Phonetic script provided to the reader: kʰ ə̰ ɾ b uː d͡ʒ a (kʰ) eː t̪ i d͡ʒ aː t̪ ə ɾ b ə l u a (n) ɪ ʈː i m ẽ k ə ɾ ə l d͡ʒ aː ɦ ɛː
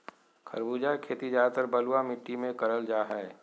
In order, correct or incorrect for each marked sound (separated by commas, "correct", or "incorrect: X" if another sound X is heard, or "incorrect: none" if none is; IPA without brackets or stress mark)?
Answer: correct, incorrect: m